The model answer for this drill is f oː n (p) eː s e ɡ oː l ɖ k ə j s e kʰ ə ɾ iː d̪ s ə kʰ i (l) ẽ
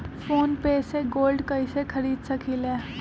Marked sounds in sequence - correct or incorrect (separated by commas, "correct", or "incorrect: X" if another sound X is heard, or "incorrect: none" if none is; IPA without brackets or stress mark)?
correct, correct